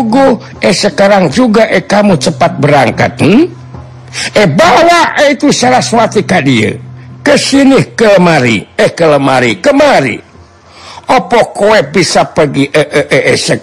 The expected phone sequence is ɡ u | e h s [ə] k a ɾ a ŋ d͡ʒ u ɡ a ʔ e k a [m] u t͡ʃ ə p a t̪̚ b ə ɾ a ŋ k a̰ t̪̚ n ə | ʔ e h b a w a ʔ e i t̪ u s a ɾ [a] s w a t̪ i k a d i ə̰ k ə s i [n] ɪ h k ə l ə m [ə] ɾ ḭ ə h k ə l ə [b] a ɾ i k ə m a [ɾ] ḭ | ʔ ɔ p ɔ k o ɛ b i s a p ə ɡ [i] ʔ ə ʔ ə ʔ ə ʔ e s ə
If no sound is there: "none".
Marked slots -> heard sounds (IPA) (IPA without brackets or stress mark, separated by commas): ə, m, a, n, a, m, ɾ, i